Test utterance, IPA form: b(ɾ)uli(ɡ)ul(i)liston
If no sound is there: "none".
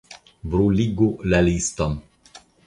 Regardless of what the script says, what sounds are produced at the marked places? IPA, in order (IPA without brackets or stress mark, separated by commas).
ɾ, ɡ, a